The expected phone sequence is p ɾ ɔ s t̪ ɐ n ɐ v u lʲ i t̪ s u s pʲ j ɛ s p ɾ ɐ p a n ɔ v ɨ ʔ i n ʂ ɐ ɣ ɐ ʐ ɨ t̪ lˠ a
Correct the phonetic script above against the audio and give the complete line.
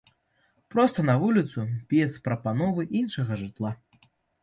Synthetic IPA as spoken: p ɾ ɔ s t̪ ɐ n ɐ v u lʲ i t̪ s u pʲ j ɛ s p ɾ ɐ p a n ɔ v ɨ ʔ i n ʂ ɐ ɣ ɐ ʐ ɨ t̪ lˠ a